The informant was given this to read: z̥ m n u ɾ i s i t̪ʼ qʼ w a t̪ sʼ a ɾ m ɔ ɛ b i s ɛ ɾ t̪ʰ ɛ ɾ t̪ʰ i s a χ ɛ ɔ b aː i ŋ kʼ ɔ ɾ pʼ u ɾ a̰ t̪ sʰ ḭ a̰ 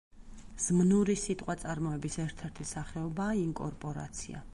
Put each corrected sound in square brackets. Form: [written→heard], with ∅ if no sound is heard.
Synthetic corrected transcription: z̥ m n u ɾ i s i t̪ʼ qʼ w a t̪ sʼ a ɾ m ɔ ɛ b i s ɛ ɾ t̪ʰ ɛ ɾ t̪ʰ i s a χ ɛ ɔ b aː i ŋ kʼ ɔ ɾ pʼ [u→ɔ] ɾ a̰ t̪ sʰ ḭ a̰

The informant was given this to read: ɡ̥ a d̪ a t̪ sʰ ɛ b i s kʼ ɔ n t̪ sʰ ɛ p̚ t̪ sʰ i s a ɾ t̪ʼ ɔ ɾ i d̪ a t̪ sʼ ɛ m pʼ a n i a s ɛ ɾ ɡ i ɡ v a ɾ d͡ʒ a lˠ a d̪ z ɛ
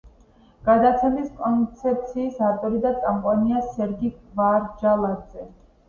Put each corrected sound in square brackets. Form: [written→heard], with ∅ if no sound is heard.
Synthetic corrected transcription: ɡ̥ a d̪ a t̪ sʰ ɛ [b→m] i s kʼ ɔ n t̪ sʰ ɛ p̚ t̪ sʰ [i→iː] s a ɾ t̪ʼ ɔ ɾ i d̪ a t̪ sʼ [ɛ→a] m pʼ a n i a s ɛ ɾ ɡ i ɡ v a ɾ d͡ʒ a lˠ a d̪ z ɛ

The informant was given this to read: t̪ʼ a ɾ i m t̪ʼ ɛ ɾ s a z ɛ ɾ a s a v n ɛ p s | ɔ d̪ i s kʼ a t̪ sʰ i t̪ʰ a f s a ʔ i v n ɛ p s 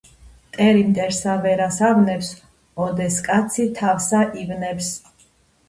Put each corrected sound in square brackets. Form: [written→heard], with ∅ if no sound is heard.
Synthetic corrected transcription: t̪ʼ [a→ɛ] ɾ i m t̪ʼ ɛ ɾ s a [z→v] ɛ ɾ a s a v n ɛ p s | ɔ d̪ [i→ɛ] s kʼ a t̪ sʰ i t̪ʰ a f s a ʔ i v n ɛ p s

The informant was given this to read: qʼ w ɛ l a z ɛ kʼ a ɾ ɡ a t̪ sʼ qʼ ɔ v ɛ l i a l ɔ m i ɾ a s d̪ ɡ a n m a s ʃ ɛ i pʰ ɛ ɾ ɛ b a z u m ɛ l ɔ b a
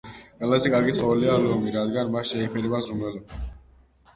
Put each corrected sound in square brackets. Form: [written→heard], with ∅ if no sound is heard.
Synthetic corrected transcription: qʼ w ɛ l a z ɛ kʼ a ɾ ɡ [a→i] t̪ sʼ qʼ ɔ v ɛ l i a l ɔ m i ɾ a [s→∅] d̪ ɡ a n m a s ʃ ɛ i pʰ ɛ ɾ ɛ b a z u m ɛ l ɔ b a

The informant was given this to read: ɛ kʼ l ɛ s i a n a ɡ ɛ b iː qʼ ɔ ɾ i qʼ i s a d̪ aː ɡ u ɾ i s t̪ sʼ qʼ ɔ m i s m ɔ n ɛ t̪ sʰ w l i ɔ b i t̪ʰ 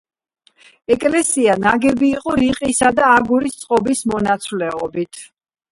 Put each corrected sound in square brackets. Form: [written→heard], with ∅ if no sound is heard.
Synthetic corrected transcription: ɛ kʼ l ɛ s i a n a ɡ ɛ b iː qʼ ɔ ɾ i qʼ i s a d̪ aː ɡ u ɾ i s t̪ sʼ qʼ ɔ [m→b] i s m ɔ n [ɛ→a] t̪ sʰ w l [i→ɛ] ɔ b i t̪ʰ

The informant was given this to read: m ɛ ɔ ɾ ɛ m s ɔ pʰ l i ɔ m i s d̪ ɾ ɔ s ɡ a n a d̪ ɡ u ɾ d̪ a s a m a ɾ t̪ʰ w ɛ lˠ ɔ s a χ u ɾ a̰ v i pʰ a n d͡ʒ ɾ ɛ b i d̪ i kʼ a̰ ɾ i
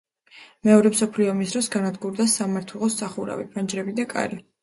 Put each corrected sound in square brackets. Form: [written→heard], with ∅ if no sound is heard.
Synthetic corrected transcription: m ɛ ɔ ɾ ɛ m s ɔ pʰ l i ɔ m i s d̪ ɾ ɔ s ɡ a n a d̪ ɡ u ɾ d̪ a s a m a ɾ t̪ʰ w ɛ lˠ ɔ s a χ u ɾ a̰ v i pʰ a n d͡ʒ ɾ ɛ b i d̪ [i→a] kʼ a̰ ɾ i

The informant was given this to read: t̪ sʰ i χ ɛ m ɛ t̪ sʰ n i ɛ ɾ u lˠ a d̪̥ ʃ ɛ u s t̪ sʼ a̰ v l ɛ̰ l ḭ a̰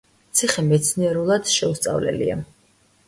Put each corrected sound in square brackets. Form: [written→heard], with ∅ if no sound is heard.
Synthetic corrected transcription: t̪ sʰ i χ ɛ m ɛ t̪ sʰ n i ɛ ɾ u lˠ a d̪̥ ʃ ɛ u s t̪ sʼ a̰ v l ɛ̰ l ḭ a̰

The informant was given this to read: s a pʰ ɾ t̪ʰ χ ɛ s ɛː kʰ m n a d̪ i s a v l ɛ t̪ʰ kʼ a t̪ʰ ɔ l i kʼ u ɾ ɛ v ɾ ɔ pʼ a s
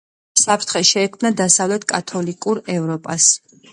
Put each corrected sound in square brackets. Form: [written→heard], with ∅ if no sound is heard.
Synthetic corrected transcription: s a pʰ ɾ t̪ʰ χ ɛ [s→ʃ] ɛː kʰ m n a d̪ [i→a] s a v l ɛ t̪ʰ kʼ a t̪ʰ ɔ l i kʼ u ɾ ɛ v ɾ ɔ pʼ a s

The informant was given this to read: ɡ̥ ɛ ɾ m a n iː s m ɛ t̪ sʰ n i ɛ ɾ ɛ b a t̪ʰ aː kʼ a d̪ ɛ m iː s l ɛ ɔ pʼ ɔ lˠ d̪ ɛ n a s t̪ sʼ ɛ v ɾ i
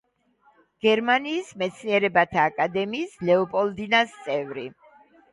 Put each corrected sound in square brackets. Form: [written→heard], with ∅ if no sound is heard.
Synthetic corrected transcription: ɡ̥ ɛ ɾ m a n iː s m ɛ t̪ sʰ n i ɛ ɾ ɛ b a t̪ʰ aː kʼ a d̪ ɛ m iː s l ɛ ɔ pʼ ɔ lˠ d̪ [ɛ→i] n a s t̪ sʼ ɛ v ɾ i

